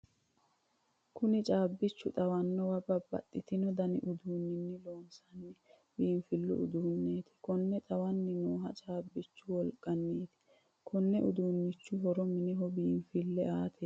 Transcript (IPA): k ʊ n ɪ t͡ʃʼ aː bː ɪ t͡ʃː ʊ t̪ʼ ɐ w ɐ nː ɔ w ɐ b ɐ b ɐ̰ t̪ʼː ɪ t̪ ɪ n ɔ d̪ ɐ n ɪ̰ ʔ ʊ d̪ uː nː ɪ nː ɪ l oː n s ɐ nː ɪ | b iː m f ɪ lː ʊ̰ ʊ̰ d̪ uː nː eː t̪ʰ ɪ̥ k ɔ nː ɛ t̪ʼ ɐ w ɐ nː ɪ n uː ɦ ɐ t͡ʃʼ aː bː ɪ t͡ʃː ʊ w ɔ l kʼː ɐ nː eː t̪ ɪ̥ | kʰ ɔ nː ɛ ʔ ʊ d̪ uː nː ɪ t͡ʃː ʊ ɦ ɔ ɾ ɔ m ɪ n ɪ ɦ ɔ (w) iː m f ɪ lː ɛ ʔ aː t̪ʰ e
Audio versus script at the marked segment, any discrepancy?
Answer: yes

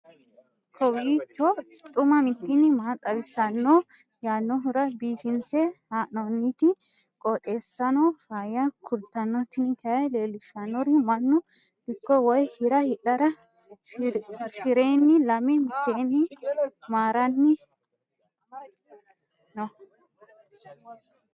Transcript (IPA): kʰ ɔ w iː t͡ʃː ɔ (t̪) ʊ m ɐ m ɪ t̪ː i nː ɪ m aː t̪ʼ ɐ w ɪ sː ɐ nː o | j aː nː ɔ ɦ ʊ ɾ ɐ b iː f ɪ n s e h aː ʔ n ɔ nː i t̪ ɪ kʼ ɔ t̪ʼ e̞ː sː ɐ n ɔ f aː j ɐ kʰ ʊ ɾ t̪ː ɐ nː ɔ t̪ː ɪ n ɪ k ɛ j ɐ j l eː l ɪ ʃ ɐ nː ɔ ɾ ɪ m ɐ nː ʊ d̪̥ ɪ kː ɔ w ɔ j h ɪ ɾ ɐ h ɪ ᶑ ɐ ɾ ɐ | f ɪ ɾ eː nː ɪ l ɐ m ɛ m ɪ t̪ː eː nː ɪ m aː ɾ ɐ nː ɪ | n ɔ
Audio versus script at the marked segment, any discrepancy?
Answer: yes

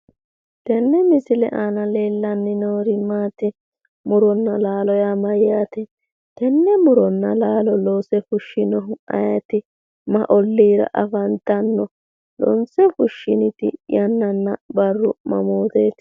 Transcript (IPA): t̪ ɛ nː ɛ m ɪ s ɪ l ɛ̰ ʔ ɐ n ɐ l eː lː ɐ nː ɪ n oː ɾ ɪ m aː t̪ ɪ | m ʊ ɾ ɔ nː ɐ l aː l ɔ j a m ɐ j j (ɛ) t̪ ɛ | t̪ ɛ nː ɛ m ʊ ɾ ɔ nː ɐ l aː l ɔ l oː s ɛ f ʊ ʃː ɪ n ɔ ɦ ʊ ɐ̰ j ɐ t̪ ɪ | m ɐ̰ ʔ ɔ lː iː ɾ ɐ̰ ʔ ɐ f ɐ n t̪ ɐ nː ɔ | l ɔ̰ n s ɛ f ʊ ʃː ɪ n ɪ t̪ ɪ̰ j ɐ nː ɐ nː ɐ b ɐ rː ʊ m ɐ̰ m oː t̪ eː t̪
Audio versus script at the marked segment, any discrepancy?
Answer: yes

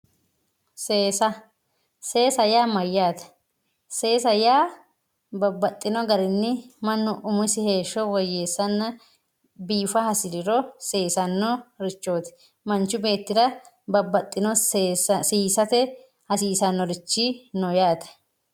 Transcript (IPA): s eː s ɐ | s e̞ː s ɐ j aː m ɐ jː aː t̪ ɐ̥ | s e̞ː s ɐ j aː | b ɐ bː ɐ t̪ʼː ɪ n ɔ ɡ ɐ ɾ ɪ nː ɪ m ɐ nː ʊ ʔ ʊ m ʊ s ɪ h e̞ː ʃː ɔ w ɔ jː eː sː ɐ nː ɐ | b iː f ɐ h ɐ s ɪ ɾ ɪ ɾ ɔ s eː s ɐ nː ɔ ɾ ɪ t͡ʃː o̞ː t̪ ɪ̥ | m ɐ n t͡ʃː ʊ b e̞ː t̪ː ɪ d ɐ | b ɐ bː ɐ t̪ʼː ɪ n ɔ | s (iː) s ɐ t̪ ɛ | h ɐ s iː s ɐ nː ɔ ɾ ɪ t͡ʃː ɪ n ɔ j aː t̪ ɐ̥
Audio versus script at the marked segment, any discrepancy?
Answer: no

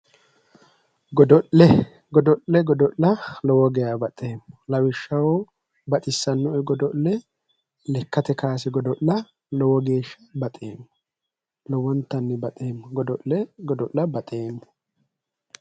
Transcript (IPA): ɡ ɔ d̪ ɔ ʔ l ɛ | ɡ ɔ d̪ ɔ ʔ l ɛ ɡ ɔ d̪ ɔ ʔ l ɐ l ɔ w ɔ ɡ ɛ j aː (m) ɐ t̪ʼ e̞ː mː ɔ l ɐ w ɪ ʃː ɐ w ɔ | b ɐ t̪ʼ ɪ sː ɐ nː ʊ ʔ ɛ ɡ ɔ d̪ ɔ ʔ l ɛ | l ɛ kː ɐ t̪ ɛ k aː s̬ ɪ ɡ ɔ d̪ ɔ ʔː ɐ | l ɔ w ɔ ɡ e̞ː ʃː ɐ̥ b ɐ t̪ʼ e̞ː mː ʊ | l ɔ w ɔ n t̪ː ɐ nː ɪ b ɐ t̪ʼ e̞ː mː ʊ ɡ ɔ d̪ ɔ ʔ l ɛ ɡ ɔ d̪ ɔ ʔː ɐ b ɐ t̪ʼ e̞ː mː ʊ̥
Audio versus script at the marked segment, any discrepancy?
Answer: yes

